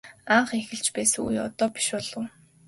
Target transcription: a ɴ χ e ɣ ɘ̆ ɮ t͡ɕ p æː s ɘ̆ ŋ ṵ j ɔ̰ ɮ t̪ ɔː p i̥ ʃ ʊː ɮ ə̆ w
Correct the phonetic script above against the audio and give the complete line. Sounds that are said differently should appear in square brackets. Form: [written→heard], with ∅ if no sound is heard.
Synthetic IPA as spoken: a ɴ χ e [ɣ→x] ɘ̆ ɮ t͡ɕ p æː s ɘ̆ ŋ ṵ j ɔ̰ [ɮ→∅] t̪ ɔː p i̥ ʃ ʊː ɮ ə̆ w